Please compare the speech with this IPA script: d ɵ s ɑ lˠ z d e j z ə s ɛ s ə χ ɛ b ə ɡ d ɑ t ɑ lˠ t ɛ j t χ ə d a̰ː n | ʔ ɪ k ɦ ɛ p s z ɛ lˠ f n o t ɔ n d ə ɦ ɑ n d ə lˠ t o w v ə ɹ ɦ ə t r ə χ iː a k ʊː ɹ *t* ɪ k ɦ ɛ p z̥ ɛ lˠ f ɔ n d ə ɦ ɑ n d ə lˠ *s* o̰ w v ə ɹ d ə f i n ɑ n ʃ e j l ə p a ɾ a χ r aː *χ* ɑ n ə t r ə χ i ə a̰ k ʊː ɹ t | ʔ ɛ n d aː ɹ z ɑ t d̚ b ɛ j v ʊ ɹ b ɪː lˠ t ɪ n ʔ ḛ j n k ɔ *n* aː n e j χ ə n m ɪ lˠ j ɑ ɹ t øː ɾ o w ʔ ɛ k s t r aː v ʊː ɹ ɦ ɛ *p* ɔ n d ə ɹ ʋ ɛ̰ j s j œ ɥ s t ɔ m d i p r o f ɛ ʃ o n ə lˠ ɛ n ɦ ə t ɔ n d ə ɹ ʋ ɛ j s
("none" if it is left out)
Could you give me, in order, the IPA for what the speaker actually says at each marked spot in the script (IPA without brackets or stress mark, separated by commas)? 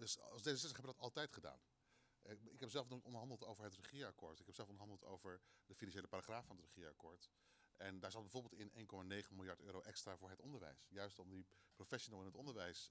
t, t, f, m, t